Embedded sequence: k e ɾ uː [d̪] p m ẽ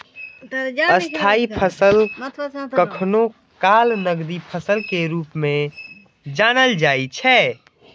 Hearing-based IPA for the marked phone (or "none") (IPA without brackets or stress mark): none